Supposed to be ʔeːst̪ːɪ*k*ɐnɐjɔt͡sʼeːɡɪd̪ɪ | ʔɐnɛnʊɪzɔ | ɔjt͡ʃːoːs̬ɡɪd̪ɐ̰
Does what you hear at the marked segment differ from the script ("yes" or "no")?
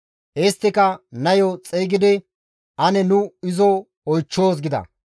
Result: no